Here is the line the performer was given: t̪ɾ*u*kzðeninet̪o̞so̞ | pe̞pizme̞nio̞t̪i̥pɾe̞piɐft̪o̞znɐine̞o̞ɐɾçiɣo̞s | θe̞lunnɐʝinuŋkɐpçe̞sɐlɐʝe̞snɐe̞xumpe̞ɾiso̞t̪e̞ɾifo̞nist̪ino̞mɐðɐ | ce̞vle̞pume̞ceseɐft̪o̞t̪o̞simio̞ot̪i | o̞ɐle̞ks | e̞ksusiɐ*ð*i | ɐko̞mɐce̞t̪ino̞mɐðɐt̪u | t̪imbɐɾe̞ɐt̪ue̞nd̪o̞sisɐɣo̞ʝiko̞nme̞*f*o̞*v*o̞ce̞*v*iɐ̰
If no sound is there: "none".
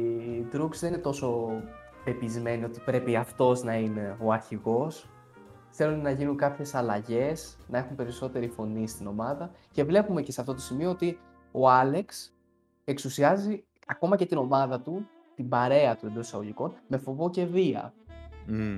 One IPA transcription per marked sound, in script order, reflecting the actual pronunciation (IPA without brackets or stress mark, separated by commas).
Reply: u, z, f, v, v